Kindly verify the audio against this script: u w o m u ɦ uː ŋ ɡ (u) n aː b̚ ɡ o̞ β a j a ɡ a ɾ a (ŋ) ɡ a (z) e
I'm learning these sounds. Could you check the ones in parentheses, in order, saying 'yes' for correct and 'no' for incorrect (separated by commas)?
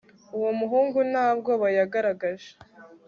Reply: yes, no, no